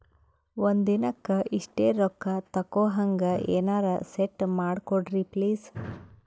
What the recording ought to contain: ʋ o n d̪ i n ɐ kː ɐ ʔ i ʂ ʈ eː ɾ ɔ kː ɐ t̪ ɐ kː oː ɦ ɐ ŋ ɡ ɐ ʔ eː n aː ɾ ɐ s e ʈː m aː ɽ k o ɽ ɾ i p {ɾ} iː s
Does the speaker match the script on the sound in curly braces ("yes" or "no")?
no